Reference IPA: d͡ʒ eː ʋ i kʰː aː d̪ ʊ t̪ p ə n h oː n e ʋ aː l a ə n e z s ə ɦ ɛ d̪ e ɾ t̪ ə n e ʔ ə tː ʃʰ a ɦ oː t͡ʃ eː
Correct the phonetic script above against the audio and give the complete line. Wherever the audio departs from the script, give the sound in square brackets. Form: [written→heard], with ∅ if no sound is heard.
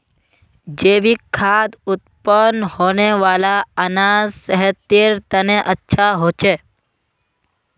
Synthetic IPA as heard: d͡ʒ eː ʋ i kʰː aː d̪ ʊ t̪ p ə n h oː n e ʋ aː l a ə n [e→a] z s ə ɦ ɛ [d̪→t̪] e ɾ t̪ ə n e ʔ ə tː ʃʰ a ɦ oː t͡ʃ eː